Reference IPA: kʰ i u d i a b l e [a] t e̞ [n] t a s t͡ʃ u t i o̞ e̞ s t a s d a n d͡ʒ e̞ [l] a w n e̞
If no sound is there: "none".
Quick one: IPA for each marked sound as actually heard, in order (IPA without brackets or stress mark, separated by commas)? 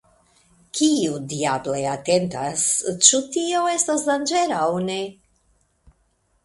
a, n, ɾ